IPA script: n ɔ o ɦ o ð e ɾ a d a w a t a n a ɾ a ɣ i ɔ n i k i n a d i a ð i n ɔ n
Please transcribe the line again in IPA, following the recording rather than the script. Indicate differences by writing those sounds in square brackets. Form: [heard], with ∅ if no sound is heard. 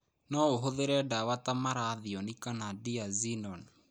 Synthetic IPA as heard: n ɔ o ɦ o ð e ɾ [ɛ] d a w a t a [m] a ɾ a [ð] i ɔ n i k [a] n a d i a [z] i n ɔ n